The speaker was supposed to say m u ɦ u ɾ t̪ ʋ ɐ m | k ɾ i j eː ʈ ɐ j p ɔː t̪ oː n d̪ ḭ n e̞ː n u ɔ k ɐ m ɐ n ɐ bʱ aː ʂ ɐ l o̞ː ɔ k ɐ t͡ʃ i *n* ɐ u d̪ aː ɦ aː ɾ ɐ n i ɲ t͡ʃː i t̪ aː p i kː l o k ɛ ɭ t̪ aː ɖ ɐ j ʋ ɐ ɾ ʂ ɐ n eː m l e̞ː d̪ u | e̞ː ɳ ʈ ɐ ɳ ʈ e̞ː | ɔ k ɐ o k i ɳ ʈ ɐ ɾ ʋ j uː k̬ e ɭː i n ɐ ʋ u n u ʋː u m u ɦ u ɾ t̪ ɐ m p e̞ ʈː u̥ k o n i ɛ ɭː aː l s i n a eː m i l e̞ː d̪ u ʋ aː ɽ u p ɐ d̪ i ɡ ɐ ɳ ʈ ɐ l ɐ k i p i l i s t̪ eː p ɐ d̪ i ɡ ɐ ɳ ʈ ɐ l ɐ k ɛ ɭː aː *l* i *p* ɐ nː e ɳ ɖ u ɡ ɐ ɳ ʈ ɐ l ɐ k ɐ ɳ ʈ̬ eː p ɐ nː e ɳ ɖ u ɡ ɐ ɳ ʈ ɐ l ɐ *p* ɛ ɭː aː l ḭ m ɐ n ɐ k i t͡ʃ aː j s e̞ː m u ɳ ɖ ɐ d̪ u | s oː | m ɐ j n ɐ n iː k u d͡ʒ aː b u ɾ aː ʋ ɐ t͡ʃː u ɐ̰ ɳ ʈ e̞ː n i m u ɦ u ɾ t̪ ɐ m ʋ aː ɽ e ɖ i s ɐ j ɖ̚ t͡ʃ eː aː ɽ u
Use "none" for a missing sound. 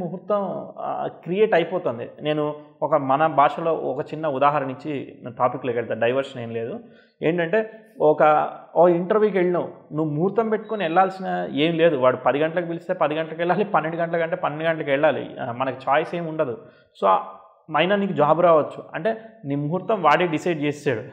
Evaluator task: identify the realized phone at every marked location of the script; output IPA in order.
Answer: nː, l, p, k

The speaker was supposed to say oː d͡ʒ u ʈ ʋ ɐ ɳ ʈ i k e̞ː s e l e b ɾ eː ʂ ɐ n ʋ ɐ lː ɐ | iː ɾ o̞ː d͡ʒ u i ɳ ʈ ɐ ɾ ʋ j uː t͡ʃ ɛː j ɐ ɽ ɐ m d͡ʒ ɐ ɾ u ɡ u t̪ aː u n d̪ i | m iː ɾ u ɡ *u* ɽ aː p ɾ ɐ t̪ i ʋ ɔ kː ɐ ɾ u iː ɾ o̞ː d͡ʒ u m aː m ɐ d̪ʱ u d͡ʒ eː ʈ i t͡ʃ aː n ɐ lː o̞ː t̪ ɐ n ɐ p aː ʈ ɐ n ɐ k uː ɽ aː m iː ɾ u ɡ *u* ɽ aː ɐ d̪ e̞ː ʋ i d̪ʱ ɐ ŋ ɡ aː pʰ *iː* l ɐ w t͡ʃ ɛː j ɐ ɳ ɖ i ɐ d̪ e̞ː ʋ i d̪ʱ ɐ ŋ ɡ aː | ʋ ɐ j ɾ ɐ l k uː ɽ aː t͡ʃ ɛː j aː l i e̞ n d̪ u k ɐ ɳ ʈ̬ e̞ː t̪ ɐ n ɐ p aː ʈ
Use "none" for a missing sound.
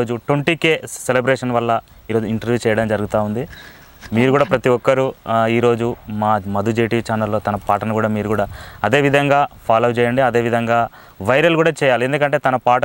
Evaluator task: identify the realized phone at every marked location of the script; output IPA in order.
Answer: uː, uː, aː

